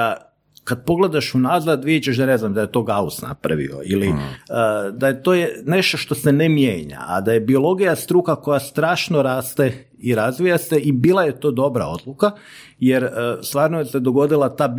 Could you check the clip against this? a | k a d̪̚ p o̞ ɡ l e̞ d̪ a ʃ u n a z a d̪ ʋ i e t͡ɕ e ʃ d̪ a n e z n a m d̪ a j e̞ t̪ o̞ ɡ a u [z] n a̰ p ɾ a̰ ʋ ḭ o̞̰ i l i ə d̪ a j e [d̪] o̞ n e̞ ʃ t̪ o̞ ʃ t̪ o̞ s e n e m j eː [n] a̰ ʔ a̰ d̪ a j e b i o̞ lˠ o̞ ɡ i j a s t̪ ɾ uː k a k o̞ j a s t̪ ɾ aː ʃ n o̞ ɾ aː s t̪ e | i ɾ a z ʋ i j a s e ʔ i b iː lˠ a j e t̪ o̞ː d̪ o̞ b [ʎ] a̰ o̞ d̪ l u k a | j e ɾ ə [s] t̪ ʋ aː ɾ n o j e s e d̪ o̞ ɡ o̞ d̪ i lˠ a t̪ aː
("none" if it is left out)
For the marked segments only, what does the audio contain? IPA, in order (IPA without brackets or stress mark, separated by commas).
s, t̪, ɲ, ɾ, s